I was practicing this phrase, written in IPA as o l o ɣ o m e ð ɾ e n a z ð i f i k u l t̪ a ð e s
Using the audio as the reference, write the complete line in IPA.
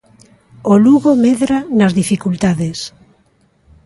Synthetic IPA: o l u ɣ o m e ð ɾ a n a z ð i f i k u l t̪ a ð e s